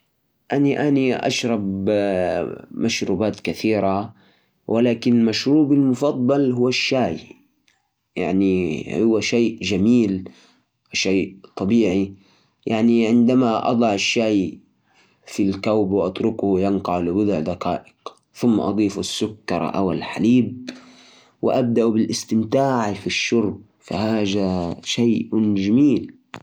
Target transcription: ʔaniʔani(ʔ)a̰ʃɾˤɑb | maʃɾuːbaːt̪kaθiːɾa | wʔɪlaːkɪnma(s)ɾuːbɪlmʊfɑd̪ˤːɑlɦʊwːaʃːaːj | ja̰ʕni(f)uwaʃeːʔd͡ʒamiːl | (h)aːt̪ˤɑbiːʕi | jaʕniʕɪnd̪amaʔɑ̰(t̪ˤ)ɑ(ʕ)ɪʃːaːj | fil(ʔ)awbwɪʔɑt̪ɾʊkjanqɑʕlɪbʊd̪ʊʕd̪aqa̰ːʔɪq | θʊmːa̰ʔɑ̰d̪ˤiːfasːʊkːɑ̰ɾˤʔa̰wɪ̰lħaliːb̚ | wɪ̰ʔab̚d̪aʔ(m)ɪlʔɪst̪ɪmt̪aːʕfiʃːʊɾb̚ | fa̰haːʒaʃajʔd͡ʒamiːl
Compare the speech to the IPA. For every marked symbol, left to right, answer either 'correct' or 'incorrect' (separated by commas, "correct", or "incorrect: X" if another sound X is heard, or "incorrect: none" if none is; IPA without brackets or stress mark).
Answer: correct, incorrect: ʃ, incorrect: h, incorrect: ʃ, incorrect: d̪ˤ, correct, incorrect: k, incorrect: b